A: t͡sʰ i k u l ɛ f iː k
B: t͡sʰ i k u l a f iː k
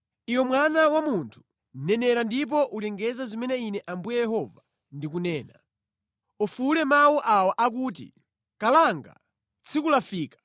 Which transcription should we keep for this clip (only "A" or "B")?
B